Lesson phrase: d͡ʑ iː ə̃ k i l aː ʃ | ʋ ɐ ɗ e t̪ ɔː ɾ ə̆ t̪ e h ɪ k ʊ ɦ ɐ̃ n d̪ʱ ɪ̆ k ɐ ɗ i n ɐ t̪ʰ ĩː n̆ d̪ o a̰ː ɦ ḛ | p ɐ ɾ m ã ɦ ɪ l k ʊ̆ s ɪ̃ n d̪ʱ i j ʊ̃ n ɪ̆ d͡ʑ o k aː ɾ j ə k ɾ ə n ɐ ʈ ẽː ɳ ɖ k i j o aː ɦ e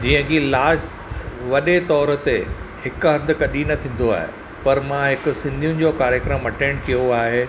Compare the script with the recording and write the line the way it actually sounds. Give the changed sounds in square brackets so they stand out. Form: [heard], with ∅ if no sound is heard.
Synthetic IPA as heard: d͡ʑ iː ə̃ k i l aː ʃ | ʋ ɐ ɗ e t̪ ɔː ɾ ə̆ t̪ e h ɪ k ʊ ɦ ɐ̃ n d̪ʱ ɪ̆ k ɐ ɗ i n ɐ t̪ʰ ĩː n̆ d̪ o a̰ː ɦ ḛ | p ɐ ɾ m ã ɦ ɪ [∅] k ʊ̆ s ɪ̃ n d̪ʱ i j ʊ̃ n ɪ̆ d͡ʑ o k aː ɾ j ə k ɾ ə [m] ɐ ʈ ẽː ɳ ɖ k i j o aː ɦ e